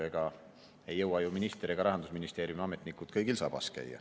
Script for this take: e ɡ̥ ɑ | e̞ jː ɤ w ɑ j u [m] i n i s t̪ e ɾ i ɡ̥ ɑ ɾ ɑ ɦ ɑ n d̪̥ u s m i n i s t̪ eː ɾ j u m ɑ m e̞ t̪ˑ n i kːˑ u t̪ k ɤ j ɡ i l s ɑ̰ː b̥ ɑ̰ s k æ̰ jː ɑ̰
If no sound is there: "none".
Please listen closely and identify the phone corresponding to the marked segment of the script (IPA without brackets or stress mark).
m